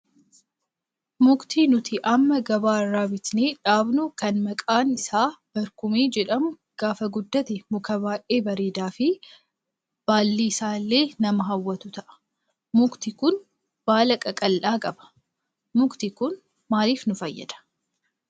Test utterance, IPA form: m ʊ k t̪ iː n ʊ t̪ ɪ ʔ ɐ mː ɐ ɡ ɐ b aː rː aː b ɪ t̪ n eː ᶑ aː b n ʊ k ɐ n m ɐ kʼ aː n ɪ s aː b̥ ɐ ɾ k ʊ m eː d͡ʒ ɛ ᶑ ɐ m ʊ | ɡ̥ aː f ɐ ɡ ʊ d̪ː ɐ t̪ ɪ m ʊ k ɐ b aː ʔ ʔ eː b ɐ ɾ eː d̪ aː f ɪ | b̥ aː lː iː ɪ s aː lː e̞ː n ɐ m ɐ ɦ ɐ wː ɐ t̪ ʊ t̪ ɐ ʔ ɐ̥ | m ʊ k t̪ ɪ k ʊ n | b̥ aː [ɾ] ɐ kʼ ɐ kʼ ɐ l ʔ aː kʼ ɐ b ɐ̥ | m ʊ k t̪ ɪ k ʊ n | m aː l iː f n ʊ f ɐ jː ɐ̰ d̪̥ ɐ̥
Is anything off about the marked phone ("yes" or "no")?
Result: yes